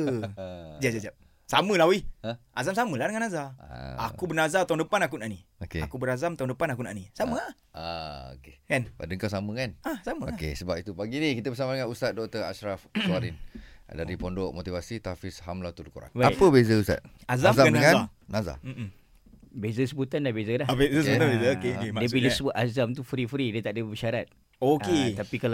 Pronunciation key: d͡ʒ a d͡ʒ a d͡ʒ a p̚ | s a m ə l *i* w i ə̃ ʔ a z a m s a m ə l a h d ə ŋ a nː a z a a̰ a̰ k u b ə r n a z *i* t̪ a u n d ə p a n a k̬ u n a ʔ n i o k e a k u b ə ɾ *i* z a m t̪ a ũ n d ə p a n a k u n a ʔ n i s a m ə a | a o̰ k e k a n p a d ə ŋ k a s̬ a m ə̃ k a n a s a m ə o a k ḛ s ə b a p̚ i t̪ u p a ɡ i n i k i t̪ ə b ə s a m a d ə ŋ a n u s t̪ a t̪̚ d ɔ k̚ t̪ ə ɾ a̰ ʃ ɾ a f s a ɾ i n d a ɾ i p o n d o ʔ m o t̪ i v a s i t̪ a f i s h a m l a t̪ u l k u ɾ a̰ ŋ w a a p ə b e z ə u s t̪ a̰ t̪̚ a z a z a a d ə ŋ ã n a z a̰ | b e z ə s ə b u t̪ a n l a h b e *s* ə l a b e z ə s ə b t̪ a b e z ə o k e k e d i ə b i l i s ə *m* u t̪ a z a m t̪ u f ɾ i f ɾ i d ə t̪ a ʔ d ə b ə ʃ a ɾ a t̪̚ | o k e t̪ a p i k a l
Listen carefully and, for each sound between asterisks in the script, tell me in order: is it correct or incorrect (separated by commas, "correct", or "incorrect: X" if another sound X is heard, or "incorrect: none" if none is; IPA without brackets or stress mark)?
incorrect: a, incorrect: a, incorrect: a, incorrect: z, incorrect: b